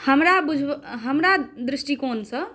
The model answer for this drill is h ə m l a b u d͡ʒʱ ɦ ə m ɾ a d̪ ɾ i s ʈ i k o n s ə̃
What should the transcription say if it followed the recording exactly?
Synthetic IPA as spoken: h ə m ɾ a b u d͡ʒʱ ɦ ə m ɾ a d̪ ɾ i s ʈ i k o n s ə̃

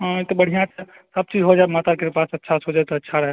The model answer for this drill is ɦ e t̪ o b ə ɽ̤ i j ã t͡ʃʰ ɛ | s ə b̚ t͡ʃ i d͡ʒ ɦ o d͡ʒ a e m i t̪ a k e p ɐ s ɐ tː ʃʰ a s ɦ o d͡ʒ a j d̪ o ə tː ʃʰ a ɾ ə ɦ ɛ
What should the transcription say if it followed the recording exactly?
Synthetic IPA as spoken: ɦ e t̪ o b ə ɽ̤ i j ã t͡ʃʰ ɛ | s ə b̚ t͡ʃ i d͡ʒ ɦ o d͡ʒ a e m a t̪ a k e p a s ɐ tː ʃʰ a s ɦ o d͡ʒ a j t̪ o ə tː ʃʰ a ɾ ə ɦ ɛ

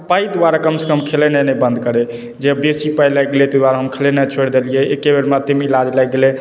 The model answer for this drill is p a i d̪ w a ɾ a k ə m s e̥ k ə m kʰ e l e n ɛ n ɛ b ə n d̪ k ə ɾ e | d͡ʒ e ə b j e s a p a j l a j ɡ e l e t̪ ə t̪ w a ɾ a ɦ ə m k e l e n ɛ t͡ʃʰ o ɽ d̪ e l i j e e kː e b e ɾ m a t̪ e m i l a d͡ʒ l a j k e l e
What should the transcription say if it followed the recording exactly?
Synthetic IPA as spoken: p a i d̪ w a ɾ a k ə m s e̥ k ə m kʰ e l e n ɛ n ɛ b ə n d̪ k ə ɾ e | d͡ʒ e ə b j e s i p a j l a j ɡ e l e t̪ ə d̪ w a ɾ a ɦ ə m kʰ e l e n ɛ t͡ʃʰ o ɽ d̪ e l i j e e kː e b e ɾ m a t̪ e m i l a d͡ʒ l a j ɡ e l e

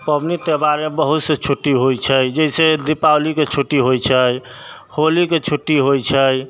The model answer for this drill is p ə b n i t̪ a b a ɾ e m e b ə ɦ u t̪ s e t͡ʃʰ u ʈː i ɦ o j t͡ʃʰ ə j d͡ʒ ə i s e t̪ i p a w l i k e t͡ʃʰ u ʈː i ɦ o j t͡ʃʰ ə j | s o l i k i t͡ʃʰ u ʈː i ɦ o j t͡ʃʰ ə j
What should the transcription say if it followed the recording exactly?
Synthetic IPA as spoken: p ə b n i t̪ e b a ɾ e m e b ə ɦ u t̪ s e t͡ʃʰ u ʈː i ɦ o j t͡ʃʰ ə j d͡ʒ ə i s e d̪ i p a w l i k e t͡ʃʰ u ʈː i ɦ o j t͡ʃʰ ə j | h o l i k e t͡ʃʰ u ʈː i ɦ o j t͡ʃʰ ə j

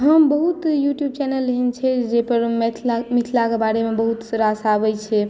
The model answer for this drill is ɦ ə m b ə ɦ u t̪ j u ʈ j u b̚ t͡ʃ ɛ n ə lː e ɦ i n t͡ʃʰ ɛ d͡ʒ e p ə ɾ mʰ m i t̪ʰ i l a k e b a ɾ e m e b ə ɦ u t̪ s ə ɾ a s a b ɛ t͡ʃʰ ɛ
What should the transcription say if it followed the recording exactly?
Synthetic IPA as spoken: ɦ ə m b ə ɦ u t̪ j u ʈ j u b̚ t͡ʃ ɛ n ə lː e ɦ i n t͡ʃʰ ɛ d͡ʒ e p ə ɾ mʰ m i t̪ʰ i l a k e b a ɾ e m e b ə ɦ u t̪ s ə ɾ a s a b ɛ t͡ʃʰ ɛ

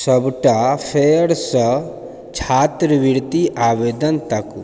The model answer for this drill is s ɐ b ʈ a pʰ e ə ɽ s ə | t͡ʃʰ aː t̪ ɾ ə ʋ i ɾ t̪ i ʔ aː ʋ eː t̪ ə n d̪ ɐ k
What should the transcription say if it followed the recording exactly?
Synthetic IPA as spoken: s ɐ b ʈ a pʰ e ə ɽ s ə | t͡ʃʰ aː t̪ ɾ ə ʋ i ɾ t̪ i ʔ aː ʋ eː d̪ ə n t̪ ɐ k

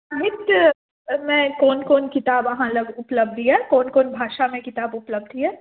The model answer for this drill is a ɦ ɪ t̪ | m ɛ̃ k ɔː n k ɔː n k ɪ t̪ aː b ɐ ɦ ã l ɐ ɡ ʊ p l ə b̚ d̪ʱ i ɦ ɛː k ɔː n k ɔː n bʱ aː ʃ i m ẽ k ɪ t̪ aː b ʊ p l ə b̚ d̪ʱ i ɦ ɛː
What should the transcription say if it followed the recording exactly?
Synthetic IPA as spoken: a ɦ ɪ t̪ | m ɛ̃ k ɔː n k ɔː n k ɪ t̪ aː b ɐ ɦ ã l ɐ ɡ ʊ p l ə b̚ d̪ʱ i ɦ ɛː k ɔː n k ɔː n bʱ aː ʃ a m ẽ k ɪ t̪ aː b ʊ p l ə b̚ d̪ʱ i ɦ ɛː

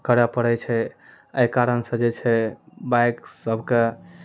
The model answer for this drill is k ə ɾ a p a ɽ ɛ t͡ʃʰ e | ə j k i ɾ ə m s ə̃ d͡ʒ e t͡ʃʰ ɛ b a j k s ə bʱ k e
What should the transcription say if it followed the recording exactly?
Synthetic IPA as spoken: k ə ɾ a p ə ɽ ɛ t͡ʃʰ ɛ | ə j k a ɾ ə n s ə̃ d͡ʒ e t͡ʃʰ ɛ b a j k s ə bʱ k e

